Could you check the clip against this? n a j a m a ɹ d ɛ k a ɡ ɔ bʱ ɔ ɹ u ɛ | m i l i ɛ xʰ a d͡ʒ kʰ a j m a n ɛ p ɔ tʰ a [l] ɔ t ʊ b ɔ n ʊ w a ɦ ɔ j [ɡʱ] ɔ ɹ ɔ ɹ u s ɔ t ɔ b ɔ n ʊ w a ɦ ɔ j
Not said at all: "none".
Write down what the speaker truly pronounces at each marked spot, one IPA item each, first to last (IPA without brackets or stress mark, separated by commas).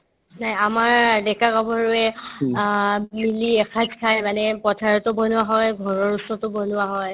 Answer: ɹ, ɡʱ